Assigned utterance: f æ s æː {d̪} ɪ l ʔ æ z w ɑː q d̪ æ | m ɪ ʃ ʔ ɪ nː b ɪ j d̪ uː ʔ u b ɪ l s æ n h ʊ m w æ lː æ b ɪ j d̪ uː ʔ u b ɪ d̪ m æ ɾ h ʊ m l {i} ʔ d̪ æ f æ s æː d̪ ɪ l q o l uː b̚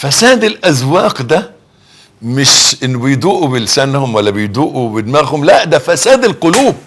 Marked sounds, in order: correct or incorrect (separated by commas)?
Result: correct, incorrect